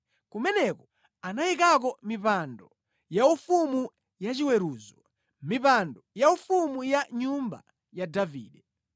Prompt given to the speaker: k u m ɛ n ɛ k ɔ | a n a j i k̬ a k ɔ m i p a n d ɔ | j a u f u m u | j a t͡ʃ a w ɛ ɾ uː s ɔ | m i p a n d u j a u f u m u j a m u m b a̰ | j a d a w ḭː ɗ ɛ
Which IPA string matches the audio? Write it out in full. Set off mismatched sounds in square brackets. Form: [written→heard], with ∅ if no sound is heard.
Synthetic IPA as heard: k u m ɛ n ɛ k ɔ | a n a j i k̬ a k ɔ m i p a n d ɔ | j a u f u m u | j a t͡ʃ [a→i] w ɛ ɾ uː [s→z] ɔ | m i p a n d [u→ɔ] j a u f u m u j a [m→ɲ] u m b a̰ | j a d a [w→v] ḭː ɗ ɛ